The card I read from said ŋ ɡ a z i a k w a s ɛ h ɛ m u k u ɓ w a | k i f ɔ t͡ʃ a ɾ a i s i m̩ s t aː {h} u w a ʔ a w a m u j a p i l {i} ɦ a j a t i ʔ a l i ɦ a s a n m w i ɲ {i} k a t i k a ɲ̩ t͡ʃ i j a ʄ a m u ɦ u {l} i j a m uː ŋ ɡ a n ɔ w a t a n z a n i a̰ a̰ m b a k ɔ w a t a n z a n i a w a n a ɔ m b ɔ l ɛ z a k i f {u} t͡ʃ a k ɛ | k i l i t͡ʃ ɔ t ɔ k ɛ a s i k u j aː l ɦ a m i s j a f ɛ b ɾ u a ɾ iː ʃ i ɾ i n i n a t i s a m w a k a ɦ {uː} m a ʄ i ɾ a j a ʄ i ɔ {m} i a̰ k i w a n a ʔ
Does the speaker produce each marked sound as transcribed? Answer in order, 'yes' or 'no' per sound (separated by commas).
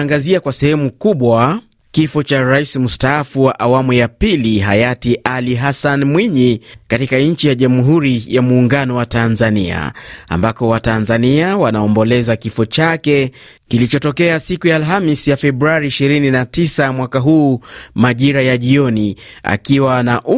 no, yes, yes, no, no, yes, no